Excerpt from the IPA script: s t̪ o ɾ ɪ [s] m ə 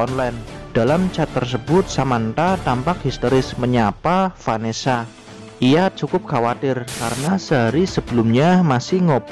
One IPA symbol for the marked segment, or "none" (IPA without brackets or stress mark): s